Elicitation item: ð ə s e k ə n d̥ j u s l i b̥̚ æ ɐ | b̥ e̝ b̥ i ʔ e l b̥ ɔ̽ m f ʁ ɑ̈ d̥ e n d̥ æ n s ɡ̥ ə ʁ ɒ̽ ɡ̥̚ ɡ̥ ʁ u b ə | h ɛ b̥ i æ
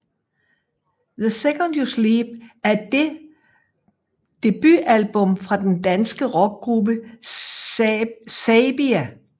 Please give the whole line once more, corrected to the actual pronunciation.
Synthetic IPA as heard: ð ə s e k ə n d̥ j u s l i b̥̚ æ ɐ | d̥ e̝ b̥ y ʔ æ l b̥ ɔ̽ m f ʁ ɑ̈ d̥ e n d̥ æ n s ɡ̥ ə ʁ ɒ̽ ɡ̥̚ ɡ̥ ʁ u b ə | s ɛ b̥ i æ